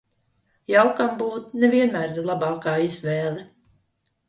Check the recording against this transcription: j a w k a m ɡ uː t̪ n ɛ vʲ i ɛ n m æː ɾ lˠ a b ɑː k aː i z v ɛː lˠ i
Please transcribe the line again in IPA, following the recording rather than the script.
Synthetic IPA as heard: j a w k a m b uː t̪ n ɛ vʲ i ɛ n m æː ɾ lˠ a b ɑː k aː i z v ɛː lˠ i

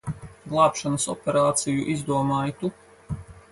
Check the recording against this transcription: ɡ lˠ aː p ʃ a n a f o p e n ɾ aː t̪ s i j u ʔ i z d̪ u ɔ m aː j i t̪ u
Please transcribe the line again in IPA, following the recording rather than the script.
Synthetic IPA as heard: ɡ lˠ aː p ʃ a n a s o p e ɾ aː t̪ s i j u ʔ i z d̪ u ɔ m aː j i t̪ u

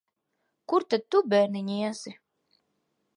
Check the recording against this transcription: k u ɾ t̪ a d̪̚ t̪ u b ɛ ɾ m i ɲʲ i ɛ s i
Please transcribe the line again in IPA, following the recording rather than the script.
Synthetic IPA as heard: k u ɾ t̪ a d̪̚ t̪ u b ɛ ɾ n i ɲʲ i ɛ s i

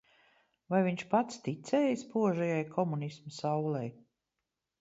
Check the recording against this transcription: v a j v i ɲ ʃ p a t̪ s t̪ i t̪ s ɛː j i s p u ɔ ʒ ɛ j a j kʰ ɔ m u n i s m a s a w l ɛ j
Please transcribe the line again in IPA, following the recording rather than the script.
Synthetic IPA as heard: v a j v i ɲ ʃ p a t̪ s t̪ i t̪ s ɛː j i s p u ɔ ʒ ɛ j a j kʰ ɔ m u n i s m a s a w l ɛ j

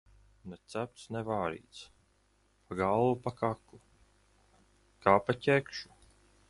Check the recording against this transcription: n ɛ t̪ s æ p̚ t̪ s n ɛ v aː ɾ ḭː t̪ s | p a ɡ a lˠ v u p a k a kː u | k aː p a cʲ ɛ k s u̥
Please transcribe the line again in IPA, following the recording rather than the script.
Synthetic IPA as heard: n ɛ t̪ s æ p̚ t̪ s n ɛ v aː ɾ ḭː t̪ s | p a ɡ a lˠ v u p a k a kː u | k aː p a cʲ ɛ k ʃ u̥

